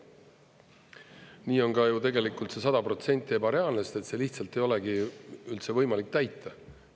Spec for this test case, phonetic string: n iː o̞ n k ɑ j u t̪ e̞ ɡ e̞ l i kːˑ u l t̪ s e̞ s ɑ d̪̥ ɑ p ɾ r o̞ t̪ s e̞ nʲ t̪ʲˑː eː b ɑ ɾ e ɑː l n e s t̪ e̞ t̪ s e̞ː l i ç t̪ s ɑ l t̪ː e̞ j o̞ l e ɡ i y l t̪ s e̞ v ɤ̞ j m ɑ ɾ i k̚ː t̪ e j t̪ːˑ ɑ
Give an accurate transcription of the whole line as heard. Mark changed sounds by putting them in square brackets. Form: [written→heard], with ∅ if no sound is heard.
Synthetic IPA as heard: n iː o̞ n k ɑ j u t̪ e̞ ɡ e̞ l i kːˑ u l t̪ s e̞ s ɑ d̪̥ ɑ p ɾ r o̞ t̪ s e̞ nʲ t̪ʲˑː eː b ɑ ɾ e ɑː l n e s t̪ e̞ t̪ s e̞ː l i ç t̪ s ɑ l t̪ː e̞ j o̞ l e ɡ i y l t̪ s e̞ v ɤ̞ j m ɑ [ɾ→l] i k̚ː t̪ [e→æ] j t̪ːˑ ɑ